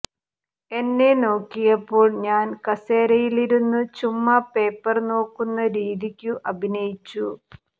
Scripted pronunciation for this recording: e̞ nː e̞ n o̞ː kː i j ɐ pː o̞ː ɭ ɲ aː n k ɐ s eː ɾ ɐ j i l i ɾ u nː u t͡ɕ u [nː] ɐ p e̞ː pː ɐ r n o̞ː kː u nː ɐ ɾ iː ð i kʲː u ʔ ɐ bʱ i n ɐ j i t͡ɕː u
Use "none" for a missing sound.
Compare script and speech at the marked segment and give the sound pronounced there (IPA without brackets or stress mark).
mː